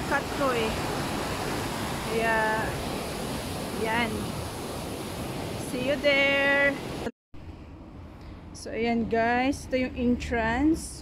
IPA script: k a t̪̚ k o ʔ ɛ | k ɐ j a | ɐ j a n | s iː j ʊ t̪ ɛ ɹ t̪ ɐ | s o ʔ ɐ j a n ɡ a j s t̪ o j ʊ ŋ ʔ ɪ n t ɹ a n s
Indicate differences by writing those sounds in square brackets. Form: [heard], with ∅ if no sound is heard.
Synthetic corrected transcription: k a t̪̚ k o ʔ ɛ | k ɐ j a | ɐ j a n | s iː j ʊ [d̪] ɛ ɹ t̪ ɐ | s o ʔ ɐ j a n ɡ a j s t̪ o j ʊ ŋ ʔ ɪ n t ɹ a n s